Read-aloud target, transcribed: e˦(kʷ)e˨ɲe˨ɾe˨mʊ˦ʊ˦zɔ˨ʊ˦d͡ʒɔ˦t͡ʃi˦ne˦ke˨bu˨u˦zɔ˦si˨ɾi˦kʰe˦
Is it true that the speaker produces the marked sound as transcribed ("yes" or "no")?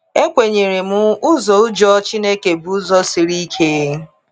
yes